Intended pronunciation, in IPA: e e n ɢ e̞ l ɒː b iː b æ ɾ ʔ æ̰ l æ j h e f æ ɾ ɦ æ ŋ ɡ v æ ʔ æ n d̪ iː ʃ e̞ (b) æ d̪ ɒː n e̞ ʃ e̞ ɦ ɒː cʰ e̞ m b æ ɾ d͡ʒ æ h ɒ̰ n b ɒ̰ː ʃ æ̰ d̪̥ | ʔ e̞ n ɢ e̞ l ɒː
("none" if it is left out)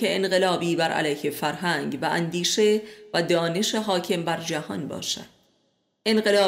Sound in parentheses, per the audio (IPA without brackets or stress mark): v